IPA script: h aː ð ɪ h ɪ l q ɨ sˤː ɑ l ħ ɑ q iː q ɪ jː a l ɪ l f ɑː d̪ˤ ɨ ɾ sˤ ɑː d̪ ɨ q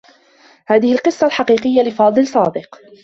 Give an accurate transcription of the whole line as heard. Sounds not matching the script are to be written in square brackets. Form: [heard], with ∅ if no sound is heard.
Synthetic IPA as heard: h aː ð ɪ h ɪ l q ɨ sˤː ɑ l ħ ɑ q iː q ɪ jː a l ɪ [∅] f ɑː d̪ˤ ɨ [l] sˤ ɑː d̪ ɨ q